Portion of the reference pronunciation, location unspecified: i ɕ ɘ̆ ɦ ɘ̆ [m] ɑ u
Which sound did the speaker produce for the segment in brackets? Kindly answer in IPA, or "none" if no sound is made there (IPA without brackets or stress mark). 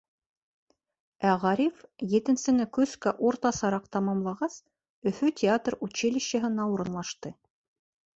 n